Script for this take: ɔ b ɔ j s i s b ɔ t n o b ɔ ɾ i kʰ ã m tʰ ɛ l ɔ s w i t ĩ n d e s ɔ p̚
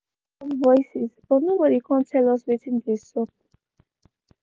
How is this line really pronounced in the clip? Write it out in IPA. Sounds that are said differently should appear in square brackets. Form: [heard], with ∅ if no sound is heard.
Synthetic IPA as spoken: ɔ [v] ɔ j s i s b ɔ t n o b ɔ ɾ i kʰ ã [n] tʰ ɛ l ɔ s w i t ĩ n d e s ɔ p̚

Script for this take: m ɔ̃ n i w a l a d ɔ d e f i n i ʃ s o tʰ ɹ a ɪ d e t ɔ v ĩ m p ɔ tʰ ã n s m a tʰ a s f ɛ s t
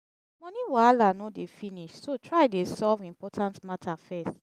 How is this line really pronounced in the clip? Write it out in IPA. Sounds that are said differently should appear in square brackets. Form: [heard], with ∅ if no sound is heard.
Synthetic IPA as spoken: m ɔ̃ n i w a l a [n] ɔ d e f i n i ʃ s o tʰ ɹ a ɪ d e [s] ɔ v ĩ m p ɔ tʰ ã n [t] m a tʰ a [∅] f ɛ s t

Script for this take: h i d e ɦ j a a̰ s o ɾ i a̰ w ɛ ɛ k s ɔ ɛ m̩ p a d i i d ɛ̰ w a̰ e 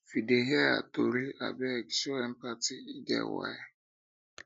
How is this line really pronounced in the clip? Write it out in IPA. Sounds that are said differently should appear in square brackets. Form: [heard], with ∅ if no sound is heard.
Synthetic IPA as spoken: [f] i d e ɦ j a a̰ [t] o ɾ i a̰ [b] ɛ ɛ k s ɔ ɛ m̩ p a [t] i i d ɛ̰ w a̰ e

